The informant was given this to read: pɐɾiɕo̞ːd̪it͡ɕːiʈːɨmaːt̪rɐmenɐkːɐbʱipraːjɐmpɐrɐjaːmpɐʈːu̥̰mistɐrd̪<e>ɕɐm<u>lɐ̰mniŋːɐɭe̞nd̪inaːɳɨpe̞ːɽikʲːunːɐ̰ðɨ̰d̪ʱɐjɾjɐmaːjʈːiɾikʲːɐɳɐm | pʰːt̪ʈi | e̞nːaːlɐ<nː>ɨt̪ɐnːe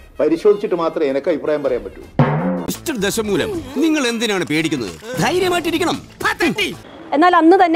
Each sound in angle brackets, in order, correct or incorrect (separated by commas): correct, incorrect, correct